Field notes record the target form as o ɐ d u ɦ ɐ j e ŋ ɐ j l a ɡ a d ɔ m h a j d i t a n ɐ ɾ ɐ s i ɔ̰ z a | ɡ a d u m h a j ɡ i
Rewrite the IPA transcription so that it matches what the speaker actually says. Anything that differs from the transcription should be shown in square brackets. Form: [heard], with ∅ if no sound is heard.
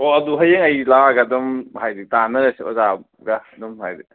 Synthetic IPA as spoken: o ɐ d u ɦ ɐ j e ŋ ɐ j l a ɡ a d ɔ m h a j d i t a n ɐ ɾ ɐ s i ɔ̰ z a | ɡ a d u m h a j [d] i